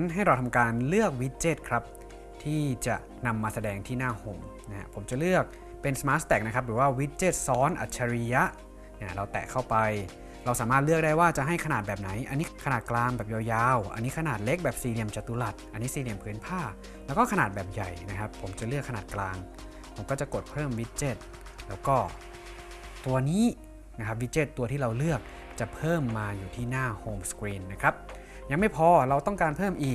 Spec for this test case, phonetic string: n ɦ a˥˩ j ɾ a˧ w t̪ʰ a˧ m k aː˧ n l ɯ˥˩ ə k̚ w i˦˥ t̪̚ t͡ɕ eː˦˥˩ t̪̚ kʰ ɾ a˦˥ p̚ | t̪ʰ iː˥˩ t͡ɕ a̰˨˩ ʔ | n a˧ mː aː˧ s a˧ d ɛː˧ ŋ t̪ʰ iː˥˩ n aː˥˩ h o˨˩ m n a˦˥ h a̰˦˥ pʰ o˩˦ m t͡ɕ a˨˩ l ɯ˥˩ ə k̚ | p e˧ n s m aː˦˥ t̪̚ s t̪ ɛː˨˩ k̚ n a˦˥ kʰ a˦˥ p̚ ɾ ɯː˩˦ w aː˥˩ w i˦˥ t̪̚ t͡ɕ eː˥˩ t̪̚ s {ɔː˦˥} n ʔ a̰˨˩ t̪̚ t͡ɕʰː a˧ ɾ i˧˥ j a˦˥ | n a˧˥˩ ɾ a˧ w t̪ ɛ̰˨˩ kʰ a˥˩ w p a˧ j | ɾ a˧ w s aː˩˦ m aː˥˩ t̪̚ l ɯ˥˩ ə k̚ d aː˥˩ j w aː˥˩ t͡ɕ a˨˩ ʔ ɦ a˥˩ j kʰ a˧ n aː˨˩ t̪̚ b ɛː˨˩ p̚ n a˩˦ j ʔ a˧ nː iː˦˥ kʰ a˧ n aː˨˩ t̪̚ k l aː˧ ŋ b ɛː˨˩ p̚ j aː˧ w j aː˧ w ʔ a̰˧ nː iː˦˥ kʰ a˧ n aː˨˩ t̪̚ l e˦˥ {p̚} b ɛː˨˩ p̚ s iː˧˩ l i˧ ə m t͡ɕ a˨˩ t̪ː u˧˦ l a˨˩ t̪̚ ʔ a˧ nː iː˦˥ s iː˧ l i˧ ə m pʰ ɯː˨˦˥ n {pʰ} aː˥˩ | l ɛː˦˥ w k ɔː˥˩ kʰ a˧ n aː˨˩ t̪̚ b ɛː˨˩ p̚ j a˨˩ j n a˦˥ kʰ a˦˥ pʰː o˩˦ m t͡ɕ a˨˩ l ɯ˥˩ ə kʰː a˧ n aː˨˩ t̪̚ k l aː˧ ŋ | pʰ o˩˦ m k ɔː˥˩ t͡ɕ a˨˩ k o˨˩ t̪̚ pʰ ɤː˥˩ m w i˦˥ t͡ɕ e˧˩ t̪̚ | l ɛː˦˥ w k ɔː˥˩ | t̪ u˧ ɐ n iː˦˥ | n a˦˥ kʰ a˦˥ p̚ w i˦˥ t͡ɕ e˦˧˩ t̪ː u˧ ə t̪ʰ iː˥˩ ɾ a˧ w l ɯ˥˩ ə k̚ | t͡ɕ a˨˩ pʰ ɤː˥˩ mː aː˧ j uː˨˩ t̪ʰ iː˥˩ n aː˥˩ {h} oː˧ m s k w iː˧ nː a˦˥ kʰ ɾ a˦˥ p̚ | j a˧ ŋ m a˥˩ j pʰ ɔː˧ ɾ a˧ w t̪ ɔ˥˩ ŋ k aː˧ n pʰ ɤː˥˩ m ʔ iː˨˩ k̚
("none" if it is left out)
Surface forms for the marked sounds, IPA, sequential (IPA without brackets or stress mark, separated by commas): ɔː˦˥, k̚, pʰ, h